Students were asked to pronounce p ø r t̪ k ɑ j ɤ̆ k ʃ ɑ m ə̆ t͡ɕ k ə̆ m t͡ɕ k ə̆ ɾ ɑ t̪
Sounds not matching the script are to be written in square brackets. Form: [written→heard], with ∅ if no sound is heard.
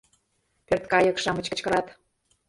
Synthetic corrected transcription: p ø r t̪ k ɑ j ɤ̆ k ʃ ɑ m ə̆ t͡ɕ k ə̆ [m→∅] t͡ɕ k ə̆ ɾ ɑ t̪